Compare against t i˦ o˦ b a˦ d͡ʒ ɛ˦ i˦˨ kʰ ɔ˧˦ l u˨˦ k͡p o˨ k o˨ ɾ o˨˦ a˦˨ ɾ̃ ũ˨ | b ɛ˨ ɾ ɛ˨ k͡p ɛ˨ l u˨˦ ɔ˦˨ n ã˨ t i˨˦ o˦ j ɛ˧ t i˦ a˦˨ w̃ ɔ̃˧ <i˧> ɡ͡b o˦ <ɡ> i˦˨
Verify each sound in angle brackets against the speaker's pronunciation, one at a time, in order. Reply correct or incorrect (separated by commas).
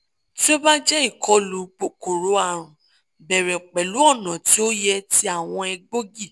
incorrect, correct